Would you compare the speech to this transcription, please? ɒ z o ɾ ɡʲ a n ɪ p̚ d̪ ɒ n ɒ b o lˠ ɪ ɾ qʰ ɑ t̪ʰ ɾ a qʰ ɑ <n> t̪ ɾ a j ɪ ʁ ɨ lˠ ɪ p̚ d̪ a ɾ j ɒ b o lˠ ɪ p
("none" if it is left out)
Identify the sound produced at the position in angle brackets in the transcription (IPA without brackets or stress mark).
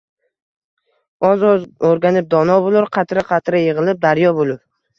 none